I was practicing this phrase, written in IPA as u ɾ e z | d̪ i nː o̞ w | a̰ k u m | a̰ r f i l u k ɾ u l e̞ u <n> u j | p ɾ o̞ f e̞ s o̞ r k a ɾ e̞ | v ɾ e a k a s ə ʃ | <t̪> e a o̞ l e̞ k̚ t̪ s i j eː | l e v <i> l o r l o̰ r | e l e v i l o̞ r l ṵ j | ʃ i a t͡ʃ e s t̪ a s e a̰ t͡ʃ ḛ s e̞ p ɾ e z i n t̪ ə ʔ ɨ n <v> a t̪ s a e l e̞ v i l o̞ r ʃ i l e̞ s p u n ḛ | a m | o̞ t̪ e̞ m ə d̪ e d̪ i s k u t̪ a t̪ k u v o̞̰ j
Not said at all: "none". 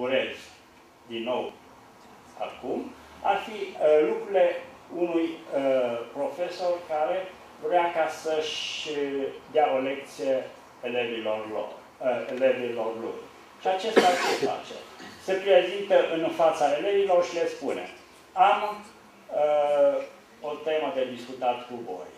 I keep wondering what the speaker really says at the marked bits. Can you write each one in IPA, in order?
n, d̪, i, f

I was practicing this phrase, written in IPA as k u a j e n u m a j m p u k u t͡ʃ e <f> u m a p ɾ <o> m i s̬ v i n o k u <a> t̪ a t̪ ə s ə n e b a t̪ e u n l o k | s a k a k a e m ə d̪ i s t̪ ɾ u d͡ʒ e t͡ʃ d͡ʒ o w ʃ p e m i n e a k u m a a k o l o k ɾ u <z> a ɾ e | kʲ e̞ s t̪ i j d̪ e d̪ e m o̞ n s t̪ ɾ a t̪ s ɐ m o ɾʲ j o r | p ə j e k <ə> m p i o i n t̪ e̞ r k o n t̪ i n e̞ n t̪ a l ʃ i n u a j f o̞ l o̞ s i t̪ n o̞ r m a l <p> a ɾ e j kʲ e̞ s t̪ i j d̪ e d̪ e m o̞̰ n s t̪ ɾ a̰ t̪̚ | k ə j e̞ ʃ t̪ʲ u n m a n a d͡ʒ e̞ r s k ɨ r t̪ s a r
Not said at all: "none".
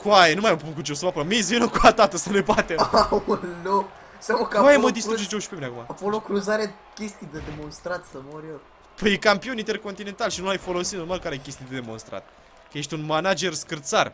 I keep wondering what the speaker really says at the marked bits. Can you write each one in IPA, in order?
s, o, a, z, a, k

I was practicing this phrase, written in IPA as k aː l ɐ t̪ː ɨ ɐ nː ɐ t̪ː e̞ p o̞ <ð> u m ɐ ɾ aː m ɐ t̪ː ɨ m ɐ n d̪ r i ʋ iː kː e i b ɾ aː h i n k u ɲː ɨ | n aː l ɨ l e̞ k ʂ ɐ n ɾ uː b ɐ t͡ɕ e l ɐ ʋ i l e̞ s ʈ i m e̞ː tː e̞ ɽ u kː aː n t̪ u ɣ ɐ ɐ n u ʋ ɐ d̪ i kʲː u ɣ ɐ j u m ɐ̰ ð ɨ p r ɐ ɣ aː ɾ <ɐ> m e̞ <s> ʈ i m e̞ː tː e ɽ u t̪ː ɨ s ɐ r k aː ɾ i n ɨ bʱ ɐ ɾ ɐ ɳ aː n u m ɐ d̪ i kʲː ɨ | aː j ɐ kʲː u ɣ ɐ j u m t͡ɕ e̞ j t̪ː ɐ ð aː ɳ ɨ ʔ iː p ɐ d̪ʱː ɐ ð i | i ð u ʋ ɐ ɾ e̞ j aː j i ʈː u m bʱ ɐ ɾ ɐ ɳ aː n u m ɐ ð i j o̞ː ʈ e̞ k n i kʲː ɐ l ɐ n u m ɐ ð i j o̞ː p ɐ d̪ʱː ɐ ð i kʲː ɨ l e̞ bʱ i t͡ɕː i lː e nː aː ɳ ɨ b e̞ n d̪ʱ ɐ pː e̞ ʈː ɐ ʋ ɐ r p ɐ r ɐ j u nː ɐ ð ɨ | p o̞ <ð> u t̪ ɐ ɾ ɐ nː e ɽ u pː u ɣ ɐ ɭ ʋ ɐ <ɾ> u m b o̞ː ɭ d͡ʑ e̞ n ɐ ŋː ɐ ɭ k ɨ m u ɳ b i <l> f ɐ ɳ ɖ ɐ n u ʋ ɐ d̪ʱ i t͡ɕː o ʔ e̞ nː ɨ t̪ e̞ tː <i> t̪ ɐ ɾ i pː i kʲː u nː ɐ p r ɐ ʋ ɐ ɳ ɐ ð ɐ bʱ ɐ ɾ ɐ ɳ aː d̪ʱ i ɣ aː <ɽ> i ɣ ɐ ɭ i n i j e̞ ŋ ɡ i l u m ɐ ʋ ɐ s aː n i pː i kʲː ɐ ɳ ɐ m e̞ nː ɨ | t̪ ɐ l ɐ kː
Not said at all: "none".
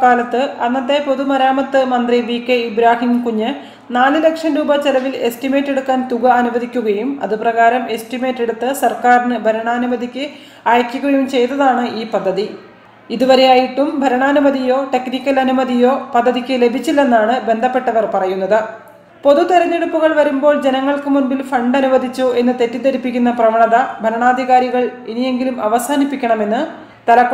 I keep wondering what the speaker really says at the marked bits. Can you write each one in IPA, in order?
ð, ɐ, s, ð, ɾ, l, i, ɾ

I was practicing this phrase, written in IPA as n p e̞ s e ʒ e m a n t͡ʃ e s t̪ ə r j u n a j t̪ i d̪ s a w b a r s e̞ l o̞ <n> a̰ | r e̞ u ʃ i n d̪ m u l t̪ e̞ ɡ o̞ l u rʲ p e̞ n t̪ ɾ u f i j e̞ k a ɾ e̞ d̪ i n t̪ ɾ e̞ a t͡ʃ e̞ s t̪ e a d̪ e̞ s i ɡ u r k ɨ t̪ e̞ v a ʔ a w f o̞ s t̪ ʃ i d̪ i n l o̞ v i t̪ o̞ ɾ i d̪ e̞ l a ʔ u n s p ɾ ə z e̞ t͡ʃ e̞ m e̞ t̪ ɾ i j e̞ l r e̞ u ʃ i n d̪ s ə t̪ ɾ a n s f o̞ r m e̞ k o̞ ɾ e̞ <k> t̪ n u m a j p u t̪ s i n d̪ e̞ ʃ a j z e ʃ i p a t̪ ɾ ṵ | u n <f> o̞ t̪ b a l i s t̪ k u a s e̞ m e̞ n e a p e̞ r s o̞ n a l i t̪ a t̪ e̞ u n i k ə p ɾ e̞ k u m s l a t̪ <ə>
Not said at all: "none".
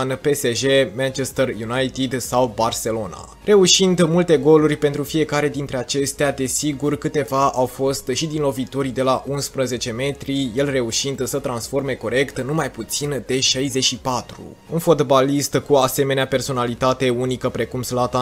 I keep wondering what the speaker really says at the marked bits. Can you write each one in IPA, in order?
n, k, f, a

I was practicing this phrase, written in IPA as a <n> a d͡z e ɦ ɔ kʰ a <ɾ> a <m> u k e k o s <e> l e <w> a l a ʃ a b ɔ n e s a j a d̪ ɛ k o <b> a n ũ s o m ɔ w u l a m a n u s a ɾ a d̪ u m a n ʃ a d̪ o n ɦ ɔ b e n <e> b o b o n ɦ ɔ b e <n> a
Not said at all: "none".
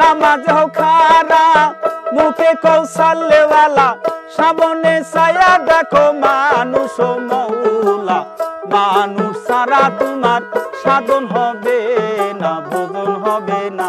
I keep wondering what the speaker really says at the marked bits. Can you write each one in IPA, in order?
m, ɾ, m, a, w, m, a, n

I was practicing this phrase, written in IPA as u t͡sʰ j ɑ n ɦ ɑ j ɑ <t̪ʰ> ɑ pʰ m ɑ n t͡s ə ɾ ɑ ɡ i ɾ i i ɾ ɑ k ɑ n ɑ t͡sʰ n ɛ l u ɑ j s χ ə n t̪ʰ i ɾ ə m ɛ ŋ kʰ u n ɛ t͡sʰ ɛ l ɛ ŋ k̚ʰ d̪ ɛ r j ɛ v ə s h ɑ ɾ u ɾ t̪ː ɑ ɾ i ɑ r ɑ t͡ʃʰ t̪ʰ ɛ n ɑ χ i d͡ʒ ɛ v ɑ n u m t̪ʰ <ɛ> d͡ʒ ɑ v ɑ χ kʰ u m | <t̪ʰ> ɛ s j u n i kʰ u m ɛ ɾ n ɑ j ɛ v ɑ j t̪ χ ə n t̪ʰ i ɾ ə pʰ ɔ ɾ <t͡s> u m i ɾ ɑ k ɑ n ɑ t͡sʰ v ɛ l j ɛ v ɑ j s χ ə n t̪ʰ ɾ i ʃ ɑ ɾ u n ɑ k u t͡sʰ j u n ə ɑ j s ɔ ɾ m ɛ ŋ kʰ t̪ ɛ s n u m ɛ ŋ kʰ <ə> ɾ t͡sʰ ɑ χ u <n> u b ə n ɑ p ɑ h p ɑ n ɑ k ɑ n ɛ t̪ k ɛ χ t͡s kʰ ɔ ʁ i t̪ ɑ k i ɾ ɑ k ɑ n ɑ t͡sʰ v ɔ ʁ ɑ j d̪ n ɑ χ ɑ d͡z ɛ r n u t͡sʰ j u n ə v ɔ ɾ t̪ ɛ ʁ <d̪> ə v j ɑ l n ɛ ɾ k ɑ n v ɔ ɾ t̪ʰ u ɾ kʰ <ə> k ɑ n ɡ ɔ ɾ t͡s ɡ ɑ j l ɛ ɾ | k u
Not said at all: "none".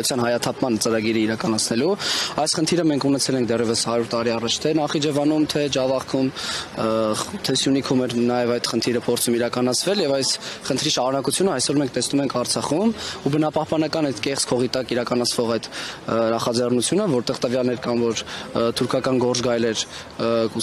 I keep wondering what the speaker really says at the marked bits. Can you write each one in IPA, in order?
t̪ʰ, ɛ, t̪ʰ, t͡sʰ, ɑ, m, t̪, ɑ

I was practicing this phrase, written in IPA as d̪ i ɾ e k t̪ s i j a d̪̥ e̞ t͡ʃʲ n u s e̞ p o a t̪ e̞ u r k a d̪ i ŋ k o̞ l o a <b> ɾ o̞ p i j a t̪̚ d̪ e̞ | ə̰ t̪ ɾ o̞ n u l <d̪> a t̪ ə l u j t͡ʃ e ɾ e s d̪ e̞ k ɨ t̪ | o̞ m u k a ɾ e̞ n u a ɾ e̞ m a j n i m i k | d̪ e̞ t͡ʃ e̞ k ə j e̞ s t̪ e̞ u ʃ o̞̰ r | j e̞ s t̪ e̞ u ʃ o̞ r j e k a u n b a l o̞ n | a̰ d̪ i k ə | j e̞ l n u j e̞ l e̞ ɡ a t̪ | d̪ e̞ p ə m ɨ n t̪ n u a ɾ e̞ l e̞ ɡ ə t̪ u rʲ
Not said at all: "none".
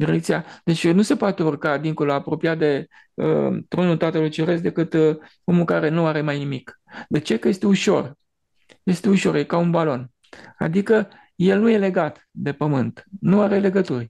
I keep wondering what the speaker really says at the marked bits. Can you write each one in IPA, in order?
p, t̪

